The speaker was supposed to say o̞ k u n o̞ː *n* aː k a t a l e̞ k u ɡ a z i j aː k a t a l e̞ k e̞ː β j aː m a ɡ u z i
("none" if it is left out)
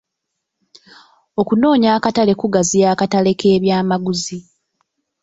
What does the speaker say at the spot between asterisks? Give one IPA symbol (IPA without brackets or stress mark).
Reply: ɲ